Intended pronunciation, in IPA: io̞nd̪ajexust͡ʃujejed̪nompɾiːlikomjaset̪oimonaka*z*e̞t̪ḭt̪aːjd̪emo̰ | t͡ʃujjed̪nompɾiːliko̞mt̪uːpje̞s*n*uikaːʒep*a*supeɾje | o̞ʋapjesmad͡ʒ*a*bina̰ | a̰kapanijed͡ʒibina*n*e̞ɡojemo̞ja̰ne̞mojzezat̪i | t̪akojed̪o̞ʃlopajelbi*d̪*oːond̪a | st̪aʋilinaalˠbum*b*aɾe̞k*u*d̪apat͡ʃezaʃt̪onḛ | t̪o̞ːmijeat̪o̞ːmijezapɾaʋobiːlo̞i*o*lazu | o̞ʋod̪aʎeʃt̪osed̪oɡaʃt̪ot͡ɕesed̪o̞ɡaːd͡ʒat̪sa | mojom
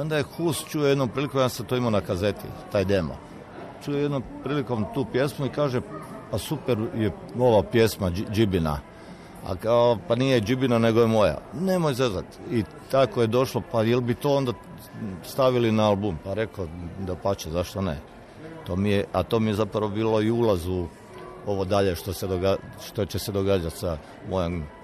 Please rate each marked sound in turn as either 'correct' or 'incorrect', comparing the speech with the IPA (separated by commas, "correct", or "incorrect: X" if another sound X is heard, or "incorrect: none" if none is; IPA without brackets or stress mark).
correct, incorrect: m, correct, incorrect: i, correct, incorrect: t̪, incorrect: p, incorrect: o, incorrect: u